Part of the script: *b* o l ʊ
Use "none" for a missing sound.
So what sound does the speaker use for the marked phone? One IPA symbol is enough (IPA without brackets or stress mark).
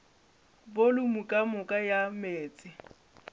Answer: b